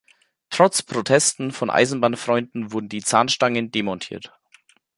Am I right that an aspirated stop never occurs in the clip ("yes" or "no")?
no